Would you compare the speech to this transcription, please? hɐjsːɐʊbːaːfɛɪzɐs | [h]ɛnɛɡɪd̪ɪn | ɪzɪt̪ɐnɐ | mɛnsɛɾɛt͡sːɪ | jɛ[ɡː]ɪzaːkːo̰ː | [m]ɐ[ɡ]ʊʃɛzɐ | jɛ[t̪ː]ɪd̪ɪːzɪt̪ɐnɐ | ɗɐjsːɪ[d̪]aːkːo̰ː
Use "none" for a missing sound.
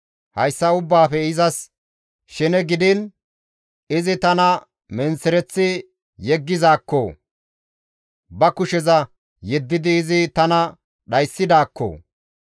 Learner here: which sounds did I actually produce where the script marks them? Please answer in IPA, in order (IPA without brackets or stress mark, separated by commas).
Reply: ʃ, ɡː, b, k, d̪ː, d̪